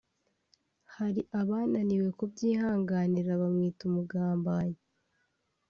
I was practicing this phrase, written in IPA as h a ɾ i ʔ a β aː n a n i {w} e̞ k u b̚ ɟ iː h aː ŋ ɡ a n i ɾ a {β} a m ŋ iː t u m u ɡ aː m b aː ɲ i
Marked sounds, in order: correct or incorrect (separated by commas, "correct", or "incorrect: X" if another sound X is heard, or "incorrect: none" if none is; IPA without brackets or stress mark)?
correct, correct